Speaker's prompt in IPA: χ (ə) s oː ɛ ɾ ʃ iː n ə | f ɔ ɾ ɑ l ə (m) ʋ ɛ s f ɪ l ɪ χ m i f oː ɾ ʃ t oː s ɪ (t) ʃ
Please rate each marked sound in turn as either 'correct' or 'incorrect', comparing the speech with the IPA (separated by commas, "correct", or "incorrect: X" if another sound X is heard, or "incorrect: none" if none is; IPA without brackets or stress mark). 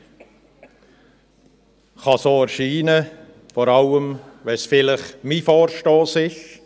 incorrect: ɑ, correct, incorrect: none